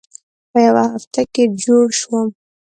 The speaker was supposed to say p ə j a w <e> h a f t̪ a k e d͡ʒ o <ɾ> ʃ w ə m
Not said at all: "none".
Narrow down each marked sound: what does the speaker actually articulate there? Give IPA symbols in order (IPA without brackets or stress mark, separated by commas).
a, ɽ